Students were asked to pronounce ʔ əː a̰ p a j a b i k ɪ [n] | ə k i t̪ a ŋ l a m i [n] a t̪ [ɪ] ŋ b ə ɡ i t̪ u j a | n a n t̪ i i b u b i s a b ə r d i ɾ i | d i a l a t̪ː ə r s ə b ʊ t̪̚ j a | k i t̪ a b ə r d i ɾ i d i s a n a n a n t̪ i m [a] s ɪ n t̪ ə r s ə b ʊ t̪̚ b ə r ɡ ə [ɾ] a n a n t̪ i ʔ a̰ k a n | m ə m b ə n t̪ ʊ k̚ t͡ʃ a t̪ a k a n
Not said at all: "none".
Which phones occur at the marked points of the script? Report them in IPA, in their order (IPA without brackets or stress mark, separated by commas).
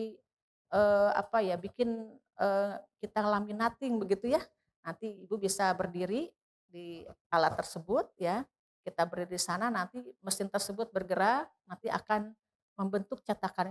n, n, ɪ, ə, ɾ